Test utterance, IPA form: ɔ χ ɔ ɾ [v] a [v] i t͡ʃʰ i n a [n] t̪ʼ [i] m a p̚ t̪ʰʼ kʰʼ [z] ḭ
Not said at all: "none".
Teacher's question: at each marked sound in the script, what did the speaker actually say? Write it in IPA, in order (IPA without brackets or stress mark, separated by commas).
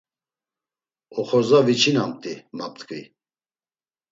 z, v, m, i, v